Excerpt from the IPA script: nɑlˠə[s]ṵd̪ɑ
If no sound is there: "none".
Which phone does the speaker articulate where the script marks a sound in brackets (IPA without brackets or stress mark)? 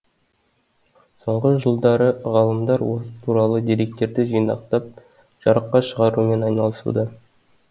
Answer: s